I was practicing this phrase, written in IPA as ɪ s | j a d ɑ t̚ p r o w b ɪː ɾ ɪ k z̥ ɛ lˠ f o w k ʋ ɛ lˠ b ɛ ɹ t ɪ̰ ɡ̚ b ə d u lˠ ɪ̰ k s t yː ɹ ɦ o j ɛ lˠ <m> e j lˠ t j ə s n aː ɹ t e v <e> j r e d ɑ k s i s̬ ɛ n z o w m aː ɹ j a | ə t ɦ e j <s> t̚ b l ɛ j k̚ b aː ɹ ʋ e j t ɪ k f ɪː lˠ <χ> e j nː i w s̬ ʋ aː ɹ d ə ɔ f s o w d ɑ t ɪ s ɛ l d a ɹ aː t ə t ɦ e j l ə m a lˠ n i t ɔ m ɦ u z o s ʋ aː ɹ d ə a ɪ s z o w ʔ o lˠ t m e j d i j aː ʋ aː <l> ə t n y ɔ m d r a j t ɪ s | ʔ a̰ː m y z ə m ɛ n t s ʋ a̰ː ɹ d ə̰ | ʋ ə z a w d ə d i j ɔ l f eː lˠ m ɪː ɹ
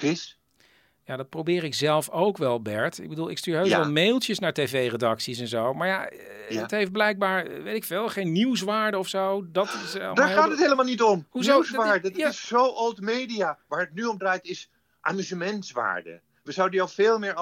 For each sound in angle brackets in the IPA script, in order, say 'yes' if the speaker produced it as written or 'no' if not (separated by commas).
yes, yes, no, yes, no